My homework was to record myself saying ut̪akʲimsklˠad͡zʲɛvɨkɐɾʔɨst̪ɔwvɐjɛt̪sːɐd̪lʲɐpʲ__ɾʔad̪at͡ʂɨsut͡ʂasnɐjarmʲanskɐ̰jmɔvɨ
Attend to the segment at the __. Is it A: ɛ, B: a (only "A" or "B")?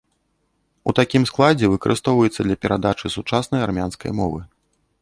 A